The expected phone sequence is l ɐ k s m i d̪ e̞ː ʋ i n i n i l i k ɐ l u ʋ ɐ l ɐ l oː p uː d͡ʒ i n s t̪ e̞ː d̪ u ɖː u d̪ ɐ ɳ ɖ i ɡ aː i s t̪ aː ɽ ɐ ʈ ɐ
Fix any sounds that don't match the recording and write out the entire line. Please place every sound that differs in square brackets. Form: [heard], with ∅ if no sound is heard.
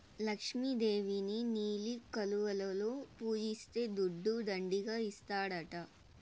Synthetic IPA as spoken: l ɐ k [ʂ] m i d̪ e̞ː ʋ i n i n [iː] l i k ɐ l u ʋ ɐ l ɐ l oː p uː d͡ʒ i [∅] s t̪ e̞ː d̪ u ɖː u d̪ ɐ ɳ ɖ i ɡ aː i s t̪ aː ɽ ɐ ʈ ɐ